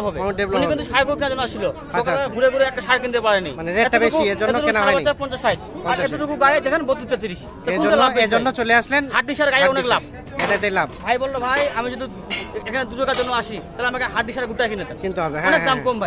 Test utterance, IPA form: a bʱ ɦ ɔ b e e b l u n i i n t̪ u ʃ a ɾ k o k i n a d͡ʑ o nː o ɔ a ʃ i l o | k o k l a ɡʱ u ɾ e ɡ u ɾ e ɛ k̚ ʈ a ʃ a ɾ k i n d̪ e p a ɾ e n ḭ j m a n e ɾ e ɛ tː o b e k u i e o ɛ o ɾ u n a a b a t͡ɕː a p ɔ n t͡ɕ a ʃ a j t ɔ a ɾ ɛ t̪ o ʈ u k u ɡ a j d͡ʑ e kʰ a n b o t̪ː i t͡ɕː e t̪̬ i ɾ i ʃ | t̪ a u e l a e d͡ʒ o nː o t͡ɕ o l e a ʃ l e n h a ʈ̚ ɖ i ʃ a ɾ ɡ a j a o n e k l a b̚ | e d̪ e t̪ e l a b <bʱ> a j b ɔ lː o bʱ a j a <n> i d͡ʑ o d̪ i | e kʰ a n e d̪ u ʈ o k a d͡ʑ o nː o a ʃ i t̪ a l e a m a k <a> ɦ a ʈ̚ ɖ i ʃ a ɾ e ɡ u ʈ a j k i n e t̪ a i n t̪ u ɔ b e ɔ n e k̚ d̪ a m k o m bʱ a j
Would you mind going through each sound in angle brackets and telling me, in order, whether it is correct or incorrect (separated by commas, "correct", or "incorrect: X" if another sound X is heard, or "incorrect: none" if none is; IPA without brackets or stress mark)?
correct, incorrect: m, incorrect: e